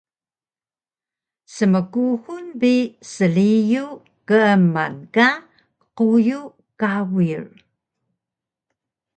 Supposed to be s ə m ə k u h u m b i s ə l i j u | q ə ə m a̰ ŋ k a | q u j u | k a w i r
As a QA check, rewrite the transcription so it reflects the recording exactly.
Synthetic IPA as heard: s ə m ə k u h u n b i s ə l i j u | k ə ə m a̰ n k a | q u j u | k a w i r